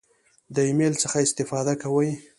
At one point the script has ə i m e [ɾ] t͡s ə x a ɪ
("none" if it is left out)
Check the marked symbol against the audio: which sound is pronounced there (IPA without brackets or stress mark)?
l